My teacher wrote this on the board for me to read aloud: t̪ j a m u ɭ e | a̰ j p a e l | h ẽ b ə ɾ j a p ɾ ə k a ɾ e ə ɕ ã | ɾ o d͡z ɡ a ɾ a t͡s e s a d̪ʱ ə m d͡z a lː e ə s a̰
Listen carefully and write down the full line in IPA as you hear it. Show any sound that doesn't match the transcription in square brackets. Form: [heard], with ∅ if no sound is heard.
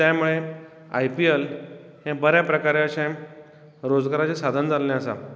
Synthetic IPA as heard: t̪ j a m u ɭ e | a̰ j p [i] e l | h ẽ b ə ɾ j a p ɾ ə k a ɾ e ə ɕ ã | ɾ o d͡z ɡ a ɾ a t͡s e s a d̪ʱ ə [n] d͡z a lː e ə s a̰